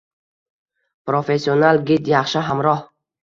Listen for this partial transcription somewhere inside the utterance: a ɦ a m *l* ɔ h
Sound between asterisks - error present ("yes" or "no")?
yes